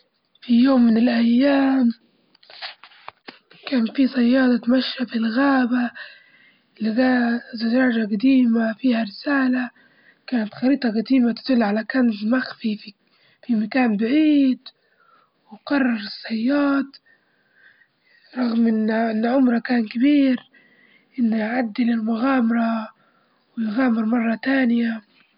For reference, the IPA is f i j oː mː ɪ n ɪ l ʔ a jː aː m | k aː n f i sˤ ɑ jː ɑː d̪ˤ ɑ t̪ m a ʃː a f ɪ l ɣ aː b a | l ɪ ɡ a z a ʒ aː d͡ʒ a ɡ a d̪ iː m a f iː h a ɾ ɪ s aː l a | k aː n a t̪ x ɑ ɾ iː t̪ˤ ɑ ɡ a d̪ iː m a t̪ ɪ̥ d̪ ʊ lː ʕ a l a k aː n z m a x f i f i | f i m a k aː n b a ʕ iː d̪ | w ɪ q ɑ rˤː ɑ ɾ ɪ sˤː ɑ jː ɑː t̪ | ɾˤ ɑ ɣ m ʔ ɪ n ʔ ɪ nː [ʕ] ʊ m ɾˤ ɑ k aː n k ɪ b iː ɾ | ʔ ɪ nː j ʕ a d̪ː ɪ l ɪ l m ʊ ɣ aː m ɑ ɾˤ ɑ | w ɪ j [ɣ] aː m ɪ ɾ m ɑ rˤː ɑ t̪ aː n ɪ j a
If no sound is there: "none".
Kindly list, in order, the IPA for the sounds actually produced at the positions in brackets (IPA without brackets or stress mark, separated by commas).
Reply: ʕ, ɣ